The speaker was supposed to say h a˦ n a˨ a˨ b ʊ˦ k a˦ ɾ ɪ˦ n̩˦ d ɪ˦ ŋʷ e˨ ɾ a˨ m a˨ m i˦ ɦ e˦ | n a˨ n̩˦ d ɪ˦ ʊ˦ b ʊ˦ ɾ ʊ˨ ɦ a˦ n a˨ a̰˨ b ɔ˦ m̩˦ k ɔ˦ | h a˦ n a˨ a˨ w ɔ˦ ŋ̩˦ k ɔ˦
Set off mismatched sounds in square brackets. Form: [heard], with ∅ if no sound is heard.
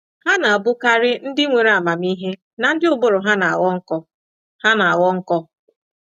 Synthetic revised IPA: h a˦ n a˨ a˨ b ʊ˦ k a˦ ɾ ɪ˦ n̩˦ d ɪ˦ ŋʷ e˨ ɾ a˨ m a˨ m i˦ ɦ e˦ | n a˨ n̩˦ d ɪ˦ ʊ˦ b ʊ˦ ɾ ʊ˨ ɦ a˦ n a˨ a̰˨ [w] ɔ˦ [ŋ̩˦] k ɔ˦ | h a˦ n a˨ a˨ w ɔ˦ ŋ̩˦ k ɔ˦